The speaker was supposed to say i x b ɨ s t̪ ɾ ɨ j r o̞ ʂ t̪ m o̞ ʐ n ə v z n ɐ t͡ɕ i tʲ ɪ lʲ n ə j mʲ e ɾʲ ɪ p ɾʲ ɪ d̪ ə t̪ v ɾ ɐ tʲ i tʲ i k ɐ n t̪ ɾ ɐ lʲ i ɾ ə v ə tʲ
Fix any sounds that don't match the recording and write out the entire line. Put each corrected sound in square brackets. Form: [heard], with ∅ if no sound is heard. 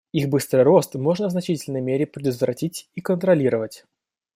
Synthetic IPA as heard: i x b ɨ s t̪ ɾ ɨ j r o̞ [s] t̪ m o̞ ʐ n ə v z n ɐ t͡ɕ i tʲ ɪ lʲ n ə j mʲ e ɾʲ ɪ p ɾʲ ɪ d̪ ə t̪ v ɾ ɐ tʲ i tʲ i k [ə] n t̪ ɾ ɐ lʲ i ɾ ə v ə tʲ